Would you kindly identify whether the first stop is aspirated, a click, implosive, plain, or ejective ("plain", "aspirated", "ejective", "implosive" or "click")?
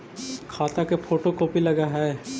aspirated